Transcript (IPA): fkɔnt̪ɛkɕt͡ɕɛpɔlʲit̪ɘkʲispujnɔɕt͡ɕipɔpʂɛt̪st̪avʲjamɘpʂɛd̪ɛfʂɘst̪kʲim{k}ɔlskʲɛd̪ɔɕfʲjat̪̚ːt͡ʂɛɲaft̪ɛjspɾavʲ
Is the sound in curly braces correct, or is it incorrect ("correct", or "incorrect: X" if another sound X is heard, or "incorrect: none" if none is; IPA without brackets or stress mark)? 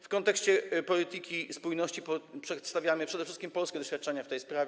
incorrect: p